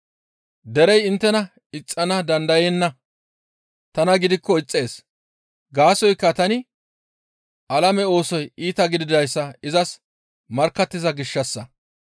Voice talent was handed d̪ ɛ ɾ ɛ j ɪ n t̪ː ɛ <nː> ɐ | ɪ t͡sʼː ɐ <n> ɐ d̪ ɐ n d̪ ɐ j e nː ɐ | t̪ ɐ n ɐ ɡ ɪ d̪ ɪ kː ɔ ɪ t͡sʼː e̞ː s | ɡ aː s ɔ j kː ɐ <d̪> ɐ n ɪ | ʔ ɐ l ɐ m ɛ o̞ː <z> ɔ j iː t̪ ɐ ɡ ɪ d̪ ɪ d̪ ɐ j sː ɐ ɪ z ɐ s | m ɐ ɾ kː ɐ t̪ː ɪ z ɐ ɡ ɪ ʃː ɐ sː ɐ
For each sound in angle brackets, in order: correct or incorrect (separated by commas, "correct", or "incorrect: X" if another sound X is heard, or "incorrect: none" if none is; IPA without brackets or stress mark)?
incorrect: n, correct, incorrect: t̪, incorrect: s